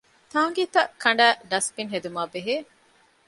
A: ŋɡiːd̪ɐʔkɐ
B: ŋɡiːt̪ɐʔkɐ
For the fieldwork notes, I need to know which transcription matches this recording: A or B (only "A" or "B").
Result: B